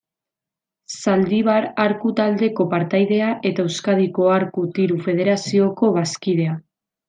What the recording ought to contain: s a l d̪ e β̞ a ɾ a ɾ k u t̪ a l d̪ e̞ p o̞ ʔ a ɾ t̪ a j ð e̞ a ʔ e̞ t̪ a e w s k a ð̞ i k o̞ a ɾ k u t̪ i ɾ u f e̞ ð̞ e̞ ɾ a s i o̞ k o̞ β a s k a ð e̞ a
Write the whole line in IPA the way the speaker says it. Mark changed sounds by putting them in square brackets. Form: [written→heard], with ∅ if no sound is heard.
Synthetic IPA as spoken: s a l d̪ [e→i] β̞ a ɾ a ɾ k u t̪ a l d̪ e̞ [p→k] o̞ [ʔ→p] a ɾ t̪ a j ð e̞ a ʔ e̞ t̪ a e w s k a ð̞ i k o̞ a ɾ k u t̪ i ɾ u f e̞ ð̞ e̞ ɾ a s i o̞ k o̞ β a s k [a→i] ð e̞ a